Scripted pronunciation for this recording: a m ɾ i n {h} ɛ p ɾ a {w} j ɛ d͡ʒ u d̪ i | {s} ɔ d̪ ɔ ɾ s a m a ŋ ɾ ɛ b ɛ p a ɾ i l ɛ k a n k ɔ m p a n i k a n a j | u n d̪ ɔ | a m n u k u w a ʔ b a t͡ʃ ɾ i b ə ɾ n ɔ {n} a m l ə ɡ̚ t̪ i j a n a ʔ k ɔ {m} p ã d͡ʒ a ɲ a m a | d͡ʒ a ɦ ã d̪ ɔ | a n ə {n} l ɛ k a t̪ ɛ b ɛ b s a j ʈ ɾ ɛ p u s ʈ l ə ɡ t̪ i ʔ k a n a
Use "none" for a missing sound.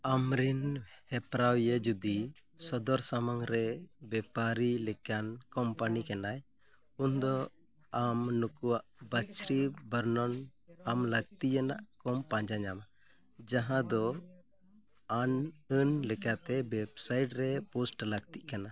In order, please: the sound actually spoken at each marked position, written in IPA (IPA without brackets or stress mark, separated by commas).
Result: h, w, s, n, m, n